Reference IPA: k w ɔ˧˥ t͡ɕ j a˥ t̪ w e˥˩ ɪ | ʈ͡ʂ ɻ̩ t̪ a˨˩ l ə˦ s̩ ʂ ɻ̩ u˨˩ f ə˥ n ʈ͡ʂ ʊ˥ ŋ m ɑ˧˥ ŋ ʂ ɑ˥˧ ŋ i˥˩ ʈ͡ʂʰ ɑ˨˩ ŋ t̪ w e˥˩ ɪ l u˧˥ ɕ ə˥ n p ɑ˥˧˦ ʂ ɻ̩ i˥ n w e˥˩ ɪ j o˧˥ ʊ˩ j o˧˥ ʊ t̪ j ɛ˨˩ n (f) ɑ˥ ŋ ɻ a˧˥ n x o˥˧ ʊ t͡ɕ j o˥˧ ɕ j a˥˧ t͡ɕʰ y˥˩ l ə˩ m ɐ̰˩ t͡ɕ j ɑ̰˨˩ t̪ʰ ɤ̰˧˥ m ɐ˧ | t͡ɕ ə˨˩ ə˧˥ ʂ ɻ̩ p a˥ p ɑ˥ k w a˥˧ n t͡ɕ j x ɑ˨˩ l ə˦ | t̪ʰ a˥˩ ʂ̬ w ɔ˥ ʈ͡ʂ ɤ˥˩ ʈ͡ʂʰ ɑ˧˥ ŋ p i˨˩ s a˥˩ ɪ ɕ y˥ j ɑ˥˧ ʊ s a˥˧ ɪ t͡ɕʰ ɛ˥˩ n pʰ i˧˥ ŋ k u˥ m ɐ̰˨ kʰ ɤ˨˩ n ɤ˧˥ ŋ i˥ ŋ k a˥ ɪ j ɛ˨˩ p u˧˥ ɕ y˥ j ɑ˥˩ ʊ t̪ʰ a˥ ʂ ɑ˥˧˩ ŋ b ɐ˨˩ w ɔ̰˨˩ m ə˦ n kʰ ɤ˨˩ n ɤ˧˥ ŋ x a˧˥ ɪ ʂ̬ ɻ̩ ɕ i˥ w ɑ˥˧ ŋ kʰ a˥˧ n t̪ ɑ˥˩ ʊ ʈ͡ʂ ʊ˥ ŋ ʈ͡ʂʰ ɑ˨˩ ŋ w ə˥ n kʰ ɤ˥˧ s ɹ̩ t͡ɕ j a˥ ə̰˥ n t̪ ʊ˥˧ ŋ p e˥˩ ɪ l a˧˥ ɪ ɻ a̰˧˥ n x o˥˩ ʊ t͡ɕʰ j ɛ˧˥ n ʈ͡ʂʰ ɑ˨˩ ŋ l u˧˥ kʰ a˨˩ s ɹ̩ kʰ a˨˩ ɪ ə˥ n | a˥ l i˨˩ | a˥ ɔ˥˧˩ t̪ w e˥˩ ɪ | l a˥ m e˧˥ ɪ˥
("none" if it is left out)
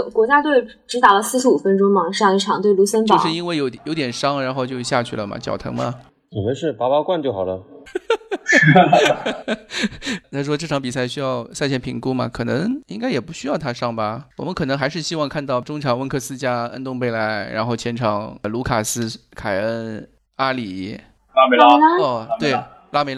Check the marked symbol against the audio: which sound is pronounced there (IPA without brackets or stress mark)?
ʂ